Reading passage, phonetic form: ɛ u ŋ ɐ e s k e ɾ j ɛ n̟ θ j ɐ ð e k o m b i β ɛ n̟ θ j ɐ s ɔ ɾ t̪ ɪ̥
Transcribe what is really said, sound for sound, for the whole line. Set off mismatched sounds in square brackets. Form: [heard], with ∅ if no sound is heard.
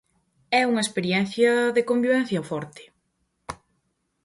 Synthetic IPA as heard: ɛ u ŋ ɐ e s [p] e ɾ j ɛ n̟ θ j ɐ ð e k o m b i β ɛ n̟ θ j ɐ [f] ɔ ɾ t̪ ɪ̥